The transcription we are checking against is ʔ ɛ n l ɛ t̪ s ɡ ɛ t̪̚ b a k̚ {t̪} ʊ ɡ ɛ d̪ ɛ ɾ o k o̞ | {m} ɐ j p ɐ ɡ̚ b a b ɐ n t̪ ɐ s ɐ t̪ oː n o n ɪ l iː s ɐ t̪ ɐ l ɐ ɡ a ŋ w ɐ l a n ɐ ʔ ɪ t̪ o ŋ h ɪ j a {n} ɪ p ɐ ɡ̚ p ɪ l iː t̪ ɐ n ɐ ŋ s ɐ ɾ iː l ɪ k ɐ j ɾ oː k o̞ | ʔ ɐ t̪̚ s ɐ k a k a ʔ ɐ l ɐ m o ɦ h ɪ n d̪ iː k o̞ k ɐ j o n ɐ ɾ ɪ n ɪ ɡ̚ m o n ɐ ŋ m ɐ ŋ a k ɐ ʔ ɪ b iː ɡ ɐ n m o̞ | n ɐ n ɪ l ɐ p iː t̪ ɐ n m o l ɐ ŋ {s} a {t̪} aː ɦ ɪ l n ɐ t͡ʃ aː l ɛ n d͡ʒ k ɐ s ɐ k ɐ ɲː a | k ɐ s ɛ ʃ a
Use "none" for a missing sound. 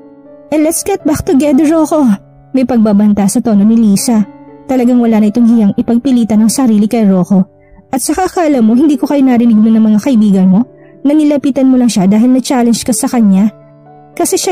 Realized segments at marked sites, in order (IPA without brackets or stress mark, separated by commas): t̪, m, ŋ, ʃ, d̪